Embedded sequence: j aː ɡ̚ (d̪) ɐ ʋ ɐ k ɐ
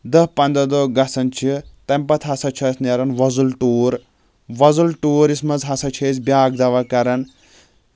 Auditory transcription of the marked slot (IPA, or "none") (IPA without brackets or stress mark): d̪